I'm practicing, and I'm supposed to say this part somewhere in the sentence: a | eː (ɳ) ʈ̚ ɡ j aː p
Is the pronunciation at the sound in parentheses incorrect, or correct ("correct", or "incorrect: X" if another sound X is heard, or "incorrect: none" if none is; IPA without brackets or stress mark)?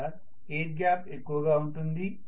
incorrect: none